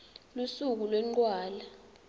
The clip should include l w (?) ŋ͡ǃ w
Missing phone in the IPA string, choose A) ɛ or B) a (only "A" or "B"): A